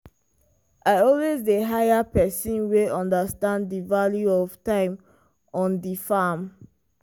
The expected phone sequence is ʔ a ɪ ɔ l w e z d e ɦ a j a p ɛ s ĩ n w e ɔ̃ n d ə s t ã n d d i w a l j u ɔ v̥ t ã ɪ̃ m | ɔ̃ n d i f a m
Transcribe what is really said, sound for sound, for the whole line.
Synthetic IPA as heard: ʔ a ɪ ɔ l w e z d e ɦ a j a p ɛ s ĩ n w e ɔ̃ n d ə s t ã n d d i v a l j u ɔ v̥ t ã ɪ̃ m | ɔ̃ n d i f a m